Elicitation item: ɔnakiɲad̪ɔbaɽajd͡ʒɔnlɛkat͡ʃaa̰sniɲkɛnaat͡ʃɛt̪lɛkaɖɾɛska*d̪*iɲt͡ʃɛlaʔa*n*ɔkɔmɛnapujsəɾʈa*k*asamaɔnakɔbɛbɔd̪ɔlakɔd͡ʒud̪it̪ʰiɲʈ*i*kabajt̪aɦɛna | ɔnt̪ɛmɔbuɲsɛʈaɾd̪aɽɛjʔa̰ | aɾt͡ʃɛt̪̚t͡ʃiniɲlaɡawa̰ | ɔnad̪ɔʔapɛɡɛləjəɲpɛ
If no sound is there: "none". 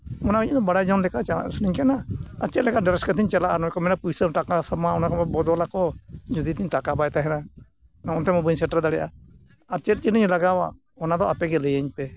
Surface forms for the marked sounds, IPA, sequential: t̪, n, k, a

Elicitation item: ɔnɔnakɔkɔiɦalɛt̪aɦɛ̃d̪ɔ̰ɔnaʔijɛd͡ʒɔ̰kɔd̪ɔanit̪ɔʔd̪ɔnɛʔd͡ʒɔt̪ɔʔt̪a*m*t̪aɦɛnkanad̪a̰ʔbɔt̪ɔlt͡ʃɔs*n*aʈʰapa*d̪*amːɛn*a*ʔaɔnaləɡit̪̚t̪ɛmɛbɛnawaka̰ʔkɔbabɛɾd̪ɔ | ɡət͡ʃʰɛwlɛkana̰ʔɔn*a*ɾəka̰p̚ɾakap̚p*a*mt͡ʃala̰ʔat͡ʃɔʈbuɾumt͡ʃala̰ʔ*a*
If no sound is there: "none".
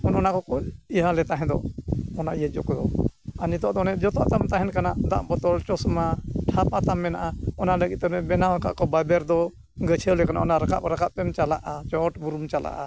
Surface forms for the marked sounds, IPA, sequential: m, m, t̪, a, a, ɛ, a

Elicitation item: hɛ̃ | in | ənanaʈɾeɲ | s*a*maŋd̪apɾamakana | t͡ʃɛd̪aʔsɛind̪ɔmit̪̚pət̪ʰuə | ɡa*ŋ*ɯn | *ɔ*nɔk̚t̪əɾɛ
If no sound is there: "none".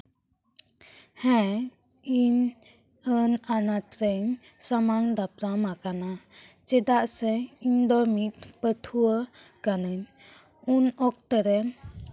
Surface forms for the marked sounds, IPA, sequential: a, n, u

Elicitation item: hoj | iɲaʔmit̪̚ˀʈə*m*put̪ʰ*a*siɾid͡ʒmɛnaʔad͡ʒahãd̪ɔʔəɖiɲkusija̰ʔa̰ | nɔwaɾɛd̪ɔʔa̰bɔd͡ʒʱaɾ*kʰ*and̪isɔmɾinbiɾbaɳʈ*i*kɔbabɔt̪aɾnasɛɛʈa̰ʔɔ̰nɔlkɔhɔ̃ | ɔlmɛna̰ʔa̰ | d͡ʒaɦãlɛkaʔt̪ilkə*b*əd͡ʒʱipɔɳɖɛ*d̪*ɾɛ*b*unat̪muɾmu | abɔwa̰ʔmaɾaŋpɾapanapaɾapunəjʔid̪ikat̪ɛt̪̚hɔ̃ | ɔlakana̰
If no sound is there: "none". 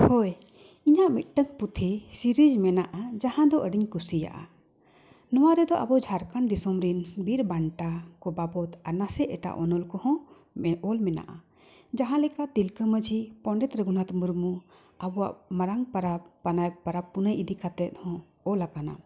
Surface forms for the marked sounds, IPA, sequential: ŋ, i, k, a, m, t̪, ɡ

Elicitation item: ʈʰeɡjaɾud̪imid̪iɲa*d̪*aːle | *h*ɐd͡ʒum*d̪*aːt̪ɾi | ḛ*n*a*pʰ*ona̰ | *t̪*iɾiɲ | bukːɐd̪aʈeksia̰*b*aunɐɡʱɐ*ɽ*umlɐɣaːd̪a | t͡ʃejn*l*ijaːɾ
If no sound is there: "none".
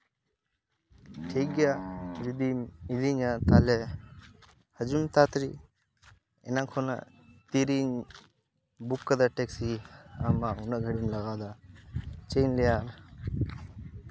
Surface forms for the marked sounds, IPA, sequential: t̪, h, t̪, n, kʰ, t̪, m, ɽ, l

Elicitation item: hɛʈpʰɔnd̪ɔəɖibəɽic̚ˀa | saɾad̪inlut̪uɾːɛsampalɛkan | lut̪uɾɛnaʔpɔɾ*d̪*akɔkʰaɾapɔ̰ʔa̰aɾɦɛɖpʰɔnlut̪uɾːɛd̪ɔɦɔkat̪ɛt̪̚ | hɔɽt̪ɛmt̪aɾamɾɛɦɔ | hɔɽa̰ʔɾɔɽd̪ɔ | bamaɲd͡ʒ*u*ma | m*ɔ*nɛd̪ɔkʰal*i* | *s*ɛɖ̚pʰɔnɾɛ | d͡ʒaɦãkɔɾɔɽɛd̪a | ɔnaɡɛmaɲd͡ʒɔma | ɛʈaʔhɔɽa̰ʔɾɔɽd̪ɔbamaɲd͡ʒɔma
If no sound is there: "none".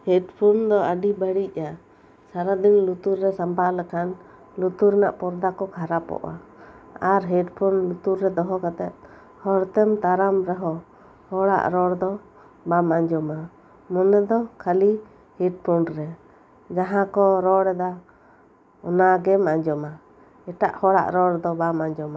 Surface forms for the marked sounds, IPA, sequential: d̪, ɔ, ɔ, i, h

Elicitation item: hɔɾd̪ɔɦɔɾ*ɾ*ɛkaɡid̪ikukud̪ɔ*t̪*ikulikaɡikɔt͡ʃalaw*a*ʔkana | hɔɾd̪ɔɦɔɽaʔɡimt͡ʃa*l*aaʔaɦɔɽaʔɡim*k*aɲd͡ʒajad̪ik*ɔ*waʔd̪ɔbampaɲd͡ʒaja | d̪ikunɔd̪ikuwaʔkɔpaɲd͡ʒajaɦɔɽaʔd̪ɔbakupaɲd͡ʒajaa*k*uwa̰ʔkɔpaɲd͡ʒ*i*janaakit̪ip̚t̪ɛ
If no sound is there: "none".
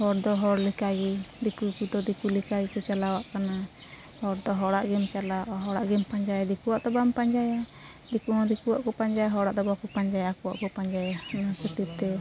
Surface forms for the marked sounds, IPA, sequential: l, d̪, a, l, p, u, k, a

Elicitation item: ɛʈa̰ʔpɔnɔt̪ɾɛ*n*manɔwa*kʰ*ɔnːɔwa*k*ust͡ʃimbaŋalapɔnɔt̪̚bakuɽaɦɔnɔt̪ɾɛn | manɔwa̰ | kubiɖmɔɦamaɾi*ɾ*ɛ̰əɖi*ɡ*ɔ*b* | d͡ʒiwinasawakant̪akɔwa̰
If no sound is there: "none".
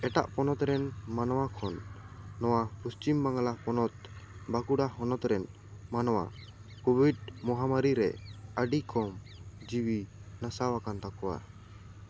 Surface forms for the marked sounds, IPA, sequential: n, kʰ, p, ɾ, k, m

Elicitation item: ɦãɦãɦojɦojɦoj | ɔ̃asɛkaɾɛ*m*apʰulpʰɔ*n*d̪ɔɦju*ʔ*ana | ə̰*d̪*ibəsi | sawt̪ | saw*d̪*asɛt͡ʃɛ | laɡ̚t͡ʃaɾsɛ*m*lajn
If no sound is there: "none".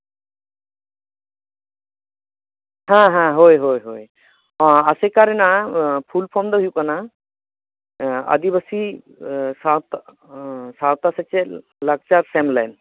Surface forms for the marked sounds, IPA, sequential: n, m, k, d̪, t̪, m

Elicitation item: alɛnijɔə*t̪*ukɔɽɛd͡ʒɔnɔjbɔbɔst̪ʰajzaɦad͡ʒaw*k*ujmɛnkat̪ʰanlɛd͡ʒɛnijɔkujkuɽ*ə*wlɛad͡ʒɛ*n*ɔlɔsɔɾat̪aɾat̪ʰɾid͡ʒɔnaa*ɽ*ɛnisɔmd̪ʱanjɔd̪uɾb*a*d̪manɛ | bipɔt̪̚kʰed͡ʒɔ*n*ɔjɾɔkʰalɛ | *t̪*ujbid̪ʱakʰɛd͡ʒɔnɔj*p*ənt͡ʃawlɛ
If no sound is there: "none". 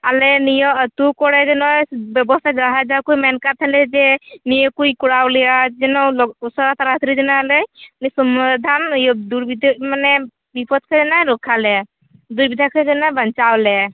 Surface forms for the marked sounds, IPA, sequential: t̪, k, a, n, l, i, n, d̪, b

